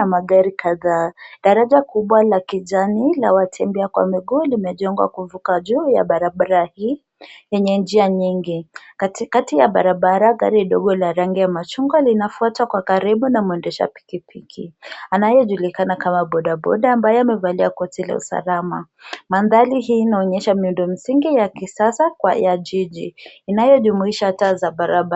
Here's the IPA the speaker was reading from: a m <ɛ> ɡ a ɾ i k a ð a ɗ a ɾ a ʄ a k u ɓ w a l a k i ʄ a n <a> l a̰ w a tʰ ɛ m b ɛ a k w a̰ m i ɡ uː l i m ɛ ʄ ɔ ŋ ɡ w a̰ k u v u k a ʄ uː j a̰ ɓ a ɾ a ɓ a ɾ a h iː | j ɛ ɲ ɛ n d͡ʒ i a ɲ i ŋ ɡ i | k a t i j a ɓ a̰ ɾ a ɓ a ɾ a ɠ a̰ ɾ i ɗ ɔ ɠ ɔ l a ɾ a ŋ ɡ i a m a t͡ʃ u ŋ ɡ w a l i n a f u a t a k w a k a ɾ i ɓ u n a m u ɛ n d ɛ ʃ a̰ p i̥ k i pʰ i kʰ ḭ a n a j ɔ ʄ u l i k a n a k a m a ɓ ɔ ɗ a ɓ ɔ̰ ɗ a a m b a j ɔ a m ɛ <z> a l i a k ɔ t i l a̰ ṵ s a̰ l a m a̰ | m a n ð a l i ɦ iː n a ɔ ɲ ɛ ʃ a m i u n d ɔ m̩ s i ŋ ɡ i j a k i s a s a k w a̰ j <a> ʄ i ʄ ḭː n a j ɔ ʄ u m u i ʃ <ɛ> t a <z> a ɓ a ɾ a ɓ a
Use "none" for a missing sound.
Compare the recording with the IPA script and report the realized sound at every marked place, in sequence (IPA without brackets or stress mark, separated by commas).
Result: a, i, v, a, a, z